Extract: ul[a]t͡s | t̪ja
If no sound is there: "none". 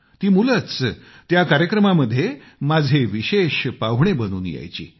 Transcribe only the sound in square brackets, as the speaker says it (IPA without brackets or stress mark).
ə